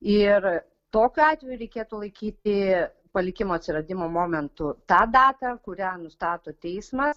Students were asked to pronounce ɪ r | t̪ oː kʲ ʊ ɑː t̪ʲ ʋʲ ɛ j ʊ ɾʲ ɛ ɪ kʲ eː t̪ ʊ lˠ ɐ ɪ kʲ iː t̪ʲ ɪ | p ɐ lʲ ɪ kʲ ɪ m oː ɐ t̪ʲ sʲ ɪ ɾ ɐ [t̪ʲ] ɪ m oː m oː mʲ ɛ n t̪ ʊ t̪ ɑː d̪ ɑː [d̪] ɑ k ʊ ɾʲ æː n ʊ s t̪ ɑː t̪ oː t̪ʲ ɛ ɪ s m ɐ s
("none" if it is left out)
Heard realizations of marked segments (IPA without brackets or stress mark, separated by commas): d̪ʲ, t̪